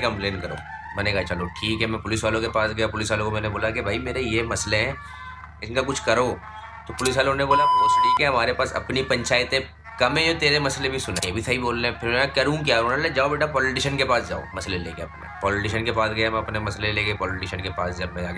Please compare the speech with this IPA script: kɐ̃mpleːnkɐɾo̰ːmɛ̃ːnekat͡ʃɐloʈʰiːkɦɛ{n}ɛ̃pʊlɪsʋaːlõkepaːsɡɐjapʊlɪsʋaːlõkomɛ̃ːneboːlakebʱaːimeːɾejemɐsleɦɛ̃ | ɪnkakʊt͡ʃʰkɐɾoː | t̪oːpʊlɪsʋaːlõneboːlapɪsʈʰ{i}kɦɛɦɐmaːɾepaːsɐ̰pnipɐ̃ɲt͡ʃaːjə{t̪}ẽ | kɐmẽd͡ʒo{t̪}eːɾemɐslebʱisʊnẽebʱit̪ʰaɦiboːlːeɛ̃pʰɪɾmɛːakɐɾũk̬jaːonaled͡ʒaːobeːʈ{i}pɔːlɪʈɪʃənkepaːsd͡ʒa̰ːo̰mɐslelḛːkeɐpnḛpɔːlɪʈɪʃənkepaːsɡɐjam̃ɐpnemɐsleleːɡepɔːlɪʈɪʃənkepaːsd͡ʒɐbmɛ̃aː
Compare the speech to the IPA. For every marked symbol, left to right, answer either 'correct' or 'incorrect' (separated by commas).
incorrect, incorrect, correct, correct, incorrect